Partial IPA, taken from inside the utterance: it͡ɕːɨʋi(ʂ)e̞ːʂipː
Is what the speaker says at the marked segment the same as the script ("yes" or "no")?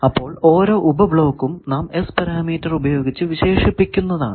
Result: no